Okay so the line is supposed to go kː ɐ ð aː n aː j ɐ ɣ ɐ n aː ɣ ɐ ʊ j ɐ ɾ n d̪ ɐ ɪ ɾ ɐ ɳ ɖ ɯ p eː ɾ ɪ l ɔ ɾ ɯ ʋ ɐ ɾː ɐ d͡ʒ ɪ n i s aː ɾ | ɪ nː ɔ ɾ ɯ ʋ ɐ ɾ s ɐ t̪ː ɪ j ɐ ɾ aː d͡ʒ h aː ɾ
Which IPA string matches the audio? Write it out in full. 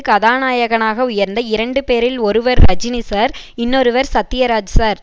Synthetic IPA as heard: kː ɐ ð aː n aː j ɐ ɣ ɐ n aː ɣ ɐ ʊ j ɐ ɾ n d̪ ɐ ɪ ɾ ɐ ɳ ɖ ɯ p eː ɾ ɪ l ɔ ɾ ɯ ʋ ɐ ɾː ɐ d͡ʒ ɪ n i s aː ɾ | ɪ nː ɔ ɾ ɯ ʋ ɐ ɾ s ɐ t̪ː ɪ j ɐ ɾ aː d͡ʒ s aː ɾ